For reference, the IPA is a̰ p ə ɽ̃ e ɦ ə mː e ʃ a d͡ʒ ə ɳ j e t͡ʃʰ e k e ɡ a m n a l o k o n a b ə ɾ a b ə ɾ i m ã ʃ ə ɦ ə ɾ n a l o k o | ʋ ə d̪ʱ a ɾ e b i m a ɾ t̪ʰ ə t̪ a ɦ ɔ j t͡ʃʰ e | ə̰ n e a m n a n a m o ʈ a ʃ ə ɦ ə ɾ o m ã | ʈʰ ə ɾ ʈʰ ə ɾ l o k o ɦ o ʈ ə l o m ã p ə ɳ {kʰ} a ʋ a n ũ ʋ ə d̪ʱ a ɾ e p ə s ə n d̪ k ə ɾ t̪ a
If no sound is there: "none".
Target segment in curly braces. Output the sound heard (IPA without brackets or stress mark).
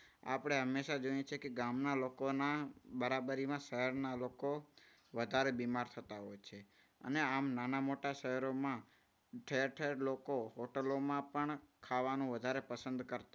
kʰ